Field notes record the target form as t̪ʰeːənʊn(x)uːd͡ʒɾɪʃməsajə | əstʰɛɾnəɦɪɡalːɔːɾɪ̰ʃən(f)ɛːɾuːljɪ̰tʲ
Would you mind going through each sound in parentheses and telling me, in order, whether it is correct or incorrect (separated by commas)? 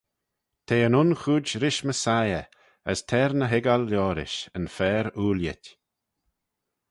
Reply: correct, correct